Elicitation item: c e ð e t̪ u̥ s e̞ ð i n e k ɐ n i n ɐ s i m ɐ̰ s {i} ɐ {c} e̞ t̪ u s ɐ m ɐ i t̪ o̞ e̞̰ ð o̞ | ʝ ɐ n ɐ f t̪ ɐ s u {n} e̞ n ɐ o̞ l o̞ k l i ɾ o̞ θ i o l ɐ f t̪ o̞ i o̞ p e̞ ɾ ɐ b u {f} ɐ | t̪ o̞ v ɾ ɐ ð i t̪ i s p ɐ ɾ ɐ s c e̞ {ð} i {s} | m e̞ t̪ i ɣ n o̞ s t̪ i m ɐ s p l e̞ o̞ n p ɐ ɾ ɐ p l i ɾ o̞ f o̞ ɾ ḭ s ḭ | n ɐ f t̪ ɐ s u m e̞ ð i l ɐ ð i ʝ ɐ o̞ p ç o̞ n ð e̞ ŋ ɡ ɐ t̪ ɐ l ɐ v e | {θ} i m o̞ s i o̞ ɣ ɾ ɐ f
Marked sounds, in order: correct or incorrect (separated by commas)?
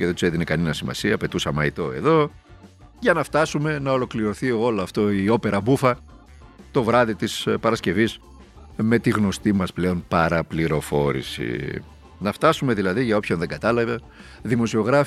correct, incorrect, incorrect, correct, incorrect, correct, incorrect